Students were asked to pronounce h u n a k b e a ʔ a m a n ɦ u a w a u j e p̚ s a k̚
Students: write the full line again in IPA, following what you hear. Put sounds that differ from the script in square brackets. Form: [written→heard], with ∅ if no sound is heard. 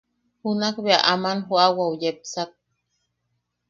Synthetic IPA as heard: h u n a k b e a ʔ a m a n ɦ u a w a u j e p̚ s a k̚